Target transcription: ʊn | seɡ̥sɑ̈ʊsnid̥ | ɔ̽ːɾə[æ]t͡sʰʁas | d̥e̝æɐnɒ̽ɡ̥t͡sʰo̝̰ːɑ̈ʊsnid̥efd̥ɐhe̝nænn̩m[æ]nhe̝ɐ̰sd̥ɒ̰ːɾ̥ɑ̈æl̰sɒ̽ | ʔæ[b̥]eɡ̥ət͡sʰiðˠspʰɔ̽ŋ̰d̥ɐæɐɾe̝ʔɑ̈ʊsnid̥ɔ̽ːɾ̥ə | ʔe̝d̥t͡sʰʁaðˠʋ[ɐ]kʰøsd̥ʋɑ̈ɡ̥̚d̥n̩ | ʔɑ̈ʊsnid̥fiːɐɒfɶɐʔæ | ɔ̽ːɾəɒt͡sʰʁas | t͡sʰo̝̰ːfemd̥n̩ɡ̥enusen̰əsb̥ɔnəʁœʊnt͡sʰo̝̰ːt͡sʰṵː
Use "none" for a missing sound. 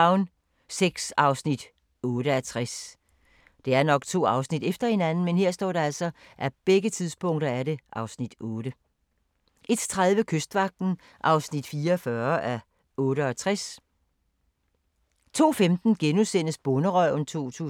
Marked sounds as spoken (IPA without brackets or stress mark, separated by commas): æ, e, b̥, ə